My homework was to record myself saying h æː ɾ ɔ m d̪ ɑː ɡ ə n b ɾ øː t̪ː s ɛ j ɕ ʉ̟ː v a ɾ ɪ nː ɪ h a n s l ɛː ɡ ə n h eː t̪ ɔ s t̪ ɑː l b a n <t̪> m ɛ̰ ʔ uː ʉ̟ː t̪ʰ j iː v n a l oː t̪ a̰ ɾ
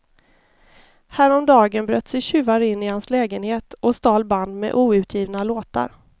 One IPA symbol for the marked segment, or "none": d̪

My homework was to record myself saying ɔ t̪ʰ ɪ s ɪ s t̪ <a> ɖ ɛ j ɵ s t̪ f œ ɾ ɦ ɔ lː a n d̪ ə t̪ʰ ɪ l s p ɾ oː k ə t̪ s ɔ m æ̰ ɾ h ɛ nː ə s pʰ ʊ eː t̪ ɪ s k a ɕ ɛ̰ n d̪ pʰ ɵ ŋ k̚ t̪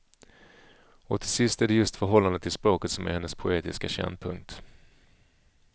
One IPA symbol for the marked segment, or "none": æ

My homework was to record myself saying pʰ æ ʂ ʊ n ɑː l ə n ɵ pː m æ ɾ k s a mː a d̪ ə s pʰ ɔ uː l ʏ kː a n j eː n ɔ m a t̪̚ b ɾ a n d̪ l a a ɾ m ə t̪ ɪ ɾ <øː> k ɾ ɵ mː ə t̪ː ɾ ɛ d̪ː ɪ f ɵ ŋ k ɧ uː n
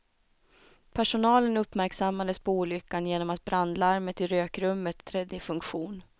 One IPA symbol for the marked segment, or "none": øː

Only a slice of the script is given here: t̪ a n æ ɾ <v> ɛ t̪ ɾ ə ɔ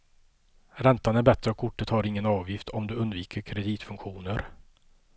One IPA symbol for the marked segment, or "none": b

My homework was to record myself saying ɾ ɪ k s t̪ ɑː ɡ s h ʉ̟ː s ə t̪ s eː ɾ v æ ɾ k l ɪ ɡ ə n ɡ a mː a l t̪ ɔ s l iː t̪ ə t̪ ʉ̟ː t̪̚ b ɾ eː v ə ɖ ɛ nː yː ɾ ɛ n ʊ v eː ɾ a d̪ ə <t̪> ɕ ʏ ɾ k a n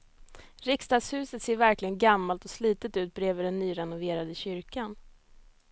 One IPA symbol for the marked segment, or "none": none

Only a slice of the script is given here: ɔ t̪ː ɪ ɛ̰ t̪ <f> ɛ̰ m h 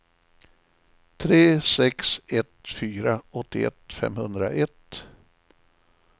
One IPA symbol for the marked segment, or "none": f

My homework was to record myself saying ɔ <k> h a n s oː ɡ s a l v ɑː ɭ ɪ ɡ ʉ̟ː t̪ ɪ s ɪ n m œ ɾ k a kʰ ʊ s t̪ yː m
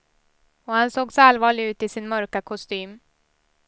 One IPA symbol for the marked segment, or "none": none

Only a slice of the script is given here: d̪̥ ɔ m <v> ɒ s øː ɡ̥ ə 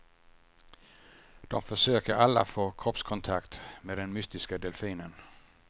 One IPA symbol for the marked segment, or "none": f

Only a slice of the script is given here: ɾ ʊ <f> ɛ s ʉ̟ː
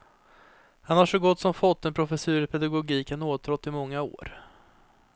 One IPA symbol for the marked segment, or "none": f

